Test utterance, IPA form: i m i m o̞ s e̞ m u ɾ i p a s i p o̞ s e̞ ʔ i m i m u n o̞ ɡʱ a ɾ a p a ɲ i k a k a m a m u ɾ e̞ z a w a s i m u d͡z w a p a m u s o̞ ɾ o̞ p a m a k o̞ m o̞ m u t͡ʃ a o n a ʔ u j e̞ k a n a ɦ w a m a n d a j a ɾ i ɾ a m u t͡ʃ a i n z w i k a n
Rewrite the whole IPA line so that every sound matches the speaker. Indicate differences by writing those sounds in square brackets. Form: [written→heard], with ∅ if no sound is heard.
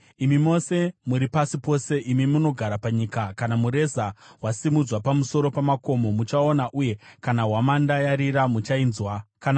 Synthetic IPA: i m i m o̞ s e̞ m u ɾ i p a s i p o̞ s e̞ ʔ i m i m u n o̞ ɡʱ a ɾ a p a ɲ i k a k a [m→n] a m u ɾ e̞ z a w a s i m u d͡z w a p a m u s o̞ ɾ o̞ p a m a k o̞ m o̞ m u t͡ʃ a o n a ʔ u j e̞ k a n a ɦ w a m a n d a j a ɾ i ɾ a m u t͡ʃ a i n z w [i→a] k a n